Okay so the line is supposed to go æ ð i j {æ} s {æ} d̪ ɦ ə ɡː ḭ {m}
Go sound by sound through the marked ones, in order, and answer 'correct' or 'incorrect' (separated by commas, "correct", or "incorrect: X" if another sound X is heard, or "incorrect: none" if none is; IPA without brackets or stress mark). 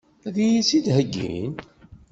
incorrect: i, incorrect: i, incorrect: n